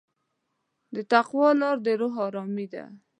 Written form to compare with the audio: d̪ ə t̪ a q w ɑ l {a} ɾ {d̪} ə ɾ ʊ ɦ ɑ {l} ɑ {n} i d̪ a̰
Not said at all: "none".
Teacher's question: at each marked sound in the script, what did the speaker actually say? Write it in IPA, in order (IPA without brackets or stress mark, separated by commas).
ɑ, d̪, ɾ, m